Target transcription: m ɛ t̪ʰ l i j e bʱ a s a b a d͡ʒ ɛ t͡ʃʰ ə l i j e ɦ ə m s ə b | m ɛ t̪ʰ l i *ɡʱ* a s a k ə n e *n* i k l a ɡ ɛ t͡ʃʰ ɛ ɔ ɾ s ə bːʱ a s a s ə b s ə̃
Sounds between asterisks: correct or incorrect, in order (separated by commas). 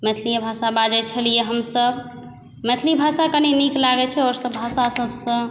incorrect, correct